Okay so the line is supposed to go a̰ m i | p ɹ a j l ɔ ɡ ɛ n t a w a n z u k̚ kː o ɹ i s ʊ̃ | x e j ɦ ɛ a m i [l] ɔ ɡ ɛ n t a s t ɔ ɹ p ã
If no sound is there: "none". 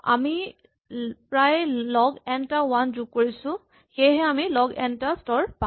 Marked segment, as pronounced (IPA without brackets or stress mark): l